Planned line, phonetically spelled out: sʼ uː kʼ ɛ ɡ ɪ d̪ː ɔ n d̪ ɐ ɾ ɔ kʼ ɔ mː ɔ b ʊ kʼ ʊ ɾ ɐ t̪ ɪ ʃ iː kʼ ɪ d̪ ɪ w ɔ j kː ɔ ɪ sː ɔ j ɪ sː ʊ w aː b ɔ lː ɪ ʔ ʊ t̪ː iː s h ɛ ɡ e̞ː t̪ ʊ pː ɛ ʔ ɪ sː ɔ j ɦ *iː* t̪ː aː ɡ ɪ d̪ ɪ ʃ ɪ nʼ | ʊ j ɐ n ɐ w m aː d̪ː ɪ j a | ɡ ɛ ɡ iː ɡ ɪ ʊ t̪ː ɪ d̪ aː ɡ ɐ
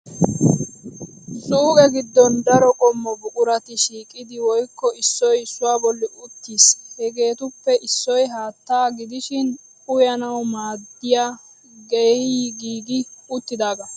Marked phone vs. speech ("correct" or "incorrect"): incorrect